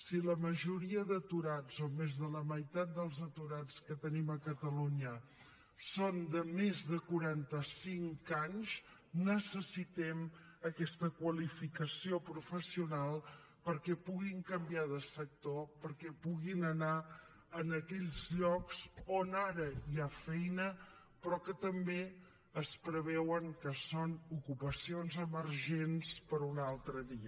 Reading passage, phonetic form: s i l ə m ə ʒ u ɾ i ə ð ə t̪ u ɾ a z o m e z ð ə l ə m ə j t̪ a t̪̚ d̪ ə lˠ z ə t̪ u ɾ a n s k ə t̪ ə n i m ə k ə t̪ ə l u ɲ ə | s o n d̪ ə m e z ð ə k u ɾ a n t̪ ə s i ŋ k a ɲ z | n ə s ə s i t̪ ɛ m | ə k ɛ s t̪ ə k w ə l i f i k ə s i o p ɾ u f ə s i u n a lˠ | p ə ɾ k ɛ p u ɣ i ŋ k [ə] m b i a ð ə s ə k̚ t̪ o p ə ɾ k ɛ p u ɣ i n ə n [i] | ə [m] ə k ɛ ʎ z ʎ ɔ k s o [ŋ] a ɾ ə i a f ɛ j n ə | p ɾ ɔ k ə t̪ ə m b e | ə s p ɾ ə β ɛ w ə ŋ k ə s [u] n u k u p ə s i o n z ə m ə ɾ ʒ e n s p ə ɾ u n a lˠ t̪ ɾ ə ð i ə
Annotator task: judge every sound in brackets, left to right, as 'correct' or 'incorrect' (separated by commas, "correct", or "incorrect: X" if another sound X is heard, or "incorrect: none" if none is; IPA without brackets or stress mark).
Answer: correct, incorrect: a, incorrect: n, incorrect: n, incorrect: o